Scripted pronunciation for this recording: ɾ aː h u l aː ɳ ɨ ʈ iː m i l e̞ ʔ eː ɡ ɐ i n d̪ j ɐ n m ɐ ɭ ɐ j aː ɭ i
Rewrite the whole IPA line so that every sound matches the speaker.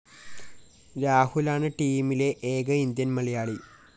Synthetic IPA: ɾ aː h u l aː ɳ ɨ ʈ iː m i l e̞ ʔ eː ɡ ɐ i n d̪ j ɐ n m ɐ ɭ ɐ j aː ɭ i